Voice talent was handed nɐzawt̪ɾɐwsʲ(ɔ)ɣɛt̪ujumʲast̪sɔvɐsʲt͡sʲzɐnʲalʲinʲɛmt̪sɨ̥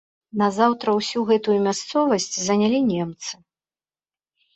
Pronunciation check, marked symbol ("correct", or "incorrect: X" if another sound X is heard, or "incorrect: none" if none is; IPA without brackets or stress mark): incorrect: u